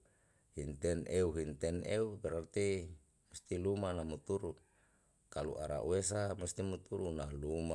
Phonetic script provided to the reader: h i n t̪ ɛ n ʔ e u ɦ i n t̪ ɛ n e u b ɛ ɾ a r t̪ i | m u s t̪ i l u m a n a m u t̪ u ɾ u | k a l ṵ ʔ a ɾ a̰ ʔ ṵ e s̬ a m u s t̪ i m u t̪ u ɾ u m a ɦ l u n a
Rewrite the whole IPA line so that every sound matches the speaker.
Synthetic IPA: h i n t̪ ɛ n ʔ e u ɦ i n t̪ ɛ n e u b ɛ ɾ a r t̪ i | m u s t̪ i l u m a n a m u t̪ u ɾ u | k a l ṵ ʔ a ɾ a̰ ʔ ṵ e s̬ a m u s t̪ i m u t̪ u ɾ u n a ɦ l u m a